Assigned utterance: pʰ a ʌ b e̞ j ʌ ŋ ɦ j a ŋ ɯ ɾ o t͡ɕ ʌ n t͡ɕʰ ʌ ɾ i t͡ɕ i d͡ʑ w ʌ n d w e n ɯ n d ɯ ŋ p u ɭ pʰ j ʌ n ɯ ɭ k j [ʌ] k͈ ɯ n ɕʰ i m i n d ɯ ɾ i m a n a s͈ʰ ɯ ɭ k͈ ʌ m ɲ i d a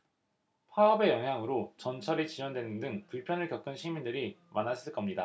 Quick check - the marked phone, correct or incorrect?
correct